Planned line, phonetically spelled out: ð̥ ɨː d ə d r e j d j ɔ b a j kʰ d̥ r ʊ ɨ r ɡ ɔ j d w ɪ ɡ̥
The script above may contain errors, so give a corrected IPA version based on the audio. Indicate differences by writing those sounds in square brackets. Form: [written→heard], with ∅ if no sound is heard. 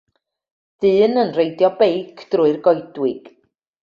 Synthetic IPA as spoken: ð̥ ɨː [d→n] ə [d→n] r e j d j ɔ b [a→e] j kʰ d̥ r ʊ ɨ r ɡ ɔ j d w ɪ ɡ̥